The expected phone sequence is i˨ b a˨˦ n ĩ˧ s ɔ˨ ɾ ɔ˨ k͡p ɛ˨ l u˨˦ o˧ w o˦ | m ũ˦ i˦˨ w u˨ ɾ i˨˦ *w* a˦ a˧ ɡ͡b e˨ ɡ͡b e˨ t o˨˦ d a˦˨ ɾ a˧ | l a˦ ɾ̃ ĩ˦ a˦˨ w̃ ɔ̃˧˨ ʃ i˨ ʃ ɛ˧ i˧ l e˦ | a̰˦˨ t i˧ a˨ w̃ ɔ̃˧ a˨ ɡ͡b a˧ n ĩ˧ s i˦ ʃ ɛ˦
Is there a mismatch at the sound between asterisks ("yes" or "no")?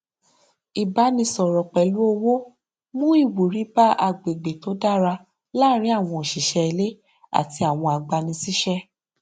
yes